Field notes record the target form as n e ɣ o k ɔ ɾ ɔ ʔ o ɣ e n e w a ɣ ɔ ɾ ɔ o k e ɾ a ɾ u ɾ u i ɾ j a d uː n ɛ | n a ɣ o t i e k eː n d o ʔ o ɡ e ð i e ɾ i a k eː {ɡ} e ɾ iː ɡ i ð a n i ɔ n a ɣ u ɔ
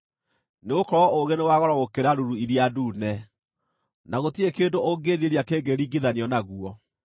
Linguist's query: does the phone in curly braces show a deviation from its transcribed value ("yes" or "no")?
no